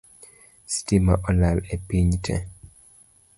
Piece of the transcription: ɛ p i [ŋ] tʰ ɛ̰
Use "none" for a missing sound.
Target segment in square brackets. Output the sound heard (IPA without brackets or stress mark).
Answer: ɲ